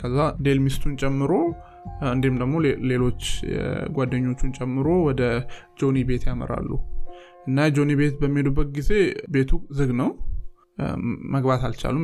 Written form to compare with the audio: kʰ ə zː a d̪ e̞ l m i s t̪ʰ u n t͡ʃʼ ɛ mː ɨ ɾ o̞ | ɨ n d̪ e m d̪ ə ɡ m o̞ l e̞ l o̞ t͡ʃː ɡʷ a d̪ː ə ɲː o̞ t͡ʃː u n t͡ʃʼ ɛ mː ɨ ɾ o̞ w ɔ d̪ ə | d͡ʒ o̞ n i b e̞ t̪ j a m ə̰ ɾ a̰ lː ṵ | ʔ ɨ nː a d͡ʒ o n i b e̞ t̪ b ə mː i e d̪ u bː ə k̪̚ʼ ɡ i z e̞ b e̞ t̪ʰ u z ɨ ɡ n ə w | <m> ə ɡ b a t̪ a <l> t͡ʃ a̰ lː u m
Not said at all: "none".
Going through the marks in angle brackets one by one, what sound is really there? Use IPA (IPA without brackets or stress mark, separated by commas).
m, l